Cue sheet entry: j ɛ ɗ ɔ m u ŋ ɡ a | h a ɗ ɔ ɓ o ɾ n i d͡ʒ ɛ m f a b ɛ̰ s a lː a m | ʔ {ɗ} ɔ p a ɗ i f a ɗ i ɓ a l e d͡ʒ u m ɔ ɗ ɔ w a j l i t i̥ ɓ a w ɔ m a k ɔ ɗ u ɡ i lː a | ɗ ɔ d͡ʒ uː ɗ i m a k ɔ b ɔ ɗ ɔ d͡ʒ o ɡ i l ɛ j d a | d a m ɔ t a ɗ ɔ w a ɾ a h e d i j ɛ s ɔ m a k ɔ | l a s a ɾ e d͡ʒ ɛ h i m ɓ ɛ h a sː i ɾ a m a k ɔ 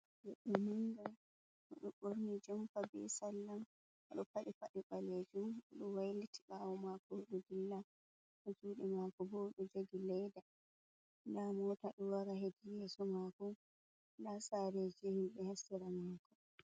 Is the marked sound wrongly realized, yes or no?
no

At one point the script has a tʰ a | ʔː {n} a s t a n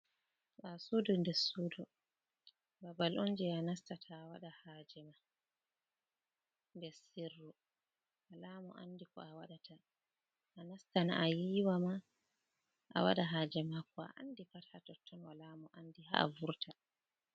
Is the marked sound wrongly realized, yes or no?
no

